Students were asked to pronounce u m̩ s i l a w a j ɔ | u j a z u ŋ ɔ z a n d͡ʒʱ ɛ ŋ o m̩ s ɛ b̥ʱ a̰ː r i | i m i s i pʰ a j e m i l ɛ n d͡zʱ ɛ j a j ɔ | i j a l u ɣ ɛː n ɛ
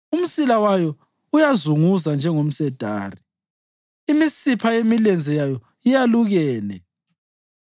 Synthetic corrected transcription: u m̩ s i l a w a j ɔ | u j a z u ŋ u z a n d͡ʒʱ ɛ ŋ o m̩ s ɛ d̥ʱ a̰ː r i | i m i s i pʰ a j e m i l ɛ n d͡zʱ ɛ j a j ɔ | i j a l u ɣ ɛː n ɛ